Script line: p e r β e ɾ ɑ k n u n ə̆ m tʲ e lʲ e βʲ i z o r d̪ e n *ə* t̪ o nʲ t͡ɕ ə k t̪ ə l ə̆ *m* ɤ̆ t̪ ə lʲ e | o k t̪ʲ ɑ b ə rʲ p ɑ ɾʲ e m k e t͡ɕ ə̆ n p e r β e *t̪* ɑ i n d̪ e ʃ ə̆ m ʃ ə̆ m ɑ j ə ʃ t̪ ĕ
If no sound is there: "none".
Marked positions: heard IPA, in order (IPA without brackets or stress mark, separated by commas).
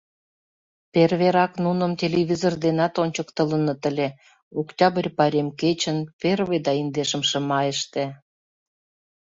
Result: ɑ, n, d̪